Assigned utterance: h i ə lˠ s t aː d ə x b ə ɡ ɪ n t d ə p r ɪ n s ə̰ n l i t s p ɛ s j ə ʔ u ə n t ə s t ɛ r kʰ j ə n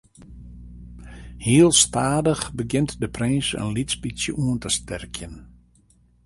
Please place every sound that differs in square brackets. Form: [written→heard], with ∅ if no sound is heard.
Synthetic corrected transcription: h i ə lˠ s t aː d ə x b ə ɡ ɪ n t d ə p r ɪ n s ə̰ n l i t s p [ɛ→i] s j ə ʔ u ə n t ə s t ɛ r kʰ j ə n